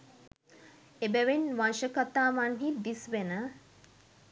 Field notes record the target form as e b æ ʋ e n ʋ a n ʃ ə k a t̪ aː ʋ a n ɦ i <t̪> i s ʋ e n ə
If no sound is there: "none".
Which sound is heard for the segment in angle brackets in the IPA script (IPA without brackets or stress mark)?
d̪